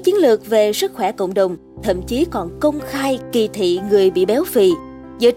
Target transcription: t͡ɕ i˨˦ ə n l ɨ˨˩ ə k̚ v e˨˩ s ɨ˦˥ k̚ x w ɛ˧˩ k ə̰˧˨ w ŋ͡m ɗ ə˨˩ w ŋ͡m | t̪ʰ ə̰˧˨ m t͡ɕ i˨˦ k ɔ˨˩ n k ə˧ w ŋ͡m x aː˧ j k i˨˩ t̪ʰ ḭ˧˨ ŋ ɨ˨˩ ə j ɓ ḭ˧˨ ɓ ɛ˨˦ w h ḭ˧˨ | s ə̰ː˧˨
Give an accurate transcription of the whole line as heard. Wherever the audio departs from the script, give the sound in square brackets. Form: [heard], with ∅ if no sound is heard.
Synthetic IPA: t͡ɕ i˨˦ ə n l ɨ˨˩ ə k̚ v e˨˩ s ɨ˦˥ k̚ x w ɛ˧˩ k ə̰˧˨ w ŋ͡m ɗ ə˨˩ w ŋ͡m | t̪ʰ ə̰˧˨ m t͡ɕ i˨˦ k ɔ˨˩ n k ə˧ w ŋ͡m x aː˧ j k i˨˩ t̪ʰ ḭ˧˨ ŋ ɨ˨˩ ə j ɓ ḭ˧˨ ɓ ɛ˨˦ w [f] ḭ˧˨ | [z] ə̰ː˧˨